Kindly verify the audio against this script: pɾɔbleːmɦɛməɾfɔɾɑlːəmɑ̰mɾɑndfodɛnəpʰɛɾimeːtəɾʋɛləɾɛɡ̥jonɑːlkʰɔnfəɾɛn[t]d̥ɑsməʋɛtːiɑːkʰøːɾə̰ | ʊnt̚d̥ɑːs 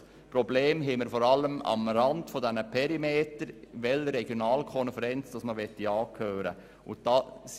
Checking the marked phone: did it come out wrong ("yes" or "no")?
yes